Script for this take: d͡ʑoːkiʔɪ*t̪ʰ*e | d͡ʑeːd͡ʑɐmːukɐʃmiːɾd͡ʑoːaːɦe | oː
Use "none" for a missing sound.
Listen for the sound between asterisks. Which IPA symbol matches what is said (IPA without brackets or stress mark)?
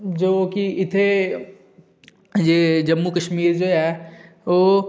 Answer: t̪ʰ